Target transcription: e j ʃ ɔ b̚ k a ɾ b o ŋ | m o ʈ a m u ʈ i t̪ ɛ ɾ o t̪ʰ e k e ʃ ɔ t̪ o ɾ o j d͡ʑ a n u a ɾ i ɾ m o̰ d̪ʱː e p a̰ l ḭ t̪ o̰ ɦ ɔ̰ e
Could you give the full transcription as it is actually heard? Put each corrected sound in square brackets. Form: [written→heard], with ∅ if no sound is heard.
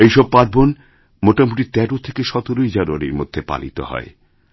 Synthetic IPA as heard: e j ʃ ɔ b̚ [k→p] a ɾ b o [ŋ→n] | m o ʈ a m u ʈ i t̪ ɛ ɾ o t̪ʰ e k e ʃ ɔ t̪ o ɾ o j d͡ʑ a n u a ɾ i ɾ m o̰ d̪ʱː e p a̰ l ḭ t̪ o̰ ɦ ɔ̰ e